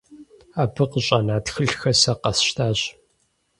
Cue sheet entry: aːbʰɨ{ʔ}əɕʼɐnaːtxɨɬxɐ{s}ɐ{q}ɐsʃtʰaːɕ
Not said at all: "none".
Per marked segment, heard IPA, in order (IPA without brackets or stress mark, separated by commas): q, s, q